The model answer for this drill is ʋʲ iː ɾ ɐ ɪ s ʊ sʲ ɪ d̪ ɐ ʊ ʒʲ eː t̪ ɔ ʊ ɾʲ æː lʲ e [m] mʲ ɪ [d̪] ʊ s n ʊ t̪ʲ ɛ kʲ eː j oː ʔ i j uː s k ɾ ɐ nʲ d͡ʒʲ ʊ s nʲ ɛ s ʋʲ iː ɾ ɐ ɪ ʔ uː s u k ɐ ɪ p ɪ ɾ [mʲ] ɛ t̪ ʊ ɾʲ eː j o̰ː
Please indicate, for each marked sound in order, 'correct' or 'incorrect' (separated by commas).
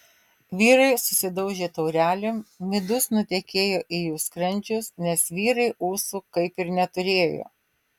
correct, correct, incorrect